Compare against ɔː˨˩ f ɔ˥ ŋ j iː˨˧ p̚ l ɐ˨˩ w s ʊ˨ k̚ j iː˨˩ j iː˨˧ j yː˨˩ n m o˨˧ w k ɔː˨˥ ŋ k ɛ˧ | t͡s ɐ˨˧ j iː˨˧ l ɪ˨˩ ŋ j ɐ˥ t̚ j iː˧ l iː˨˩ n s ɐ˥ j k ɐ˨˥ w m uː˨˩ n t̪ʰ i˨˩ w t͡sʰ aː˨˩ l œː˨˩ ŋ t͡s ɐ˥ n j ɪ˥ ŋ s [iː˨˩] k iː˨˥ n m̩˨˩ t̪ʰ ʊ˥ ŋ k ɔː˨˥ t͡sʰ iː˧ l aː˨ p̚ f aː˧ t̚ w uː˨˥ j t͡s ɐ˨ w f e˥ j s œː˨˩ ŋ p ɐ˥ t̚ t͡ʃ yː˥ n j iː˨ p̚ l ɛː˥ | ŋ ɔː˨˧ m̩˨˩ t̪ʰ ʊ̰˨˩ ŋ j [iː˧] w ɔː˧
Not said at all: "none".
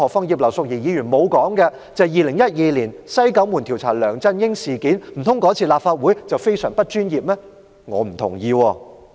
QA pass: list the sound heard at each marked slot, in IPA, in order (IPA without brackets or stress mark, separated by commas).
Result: iː˨˩, iː˧